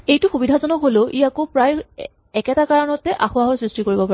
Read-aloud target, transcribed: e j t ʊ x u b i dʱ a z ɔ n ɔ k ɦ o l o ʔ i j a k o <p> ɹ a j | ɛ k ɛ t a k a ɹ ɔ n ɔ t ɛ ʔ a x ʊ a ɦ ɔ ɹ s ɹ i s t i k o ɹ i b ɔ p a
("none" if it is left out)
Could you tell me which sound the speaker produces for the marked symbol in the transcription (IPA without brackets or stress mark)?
p